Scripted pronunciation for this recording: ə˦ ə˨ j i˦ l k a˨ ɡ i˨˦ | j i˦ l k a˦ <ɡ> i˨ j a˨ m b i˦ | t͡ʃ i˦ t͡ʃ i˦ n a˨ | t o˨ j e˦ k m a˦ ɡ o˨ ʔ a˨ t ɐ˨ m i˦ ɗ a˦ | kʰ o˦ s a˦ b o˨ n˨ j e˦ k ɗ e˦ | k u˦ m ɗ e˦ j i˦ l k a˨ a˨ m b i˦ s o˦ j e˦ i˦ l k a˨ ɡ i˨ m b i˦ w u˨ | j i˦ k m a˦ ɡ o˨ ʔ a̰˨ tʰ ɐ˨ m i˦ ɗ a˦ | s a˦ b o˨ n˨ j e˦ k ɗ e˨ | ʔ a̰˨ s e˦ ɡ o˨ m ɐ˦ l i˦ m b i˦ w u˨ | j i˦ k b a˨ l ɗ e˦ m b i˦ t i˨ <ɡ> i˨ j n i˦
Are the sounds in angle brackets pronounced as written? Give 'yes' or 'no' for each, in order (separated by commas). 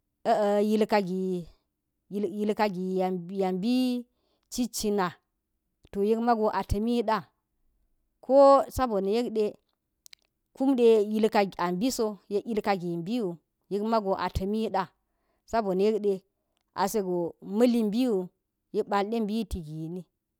yes, yes